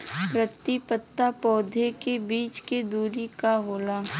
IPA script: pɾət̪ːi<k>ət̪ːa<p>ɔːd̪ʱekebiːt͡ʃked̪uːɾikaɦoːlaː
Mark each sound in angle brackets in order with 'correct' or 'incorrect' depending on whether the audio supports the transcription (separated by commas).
incorrect, correct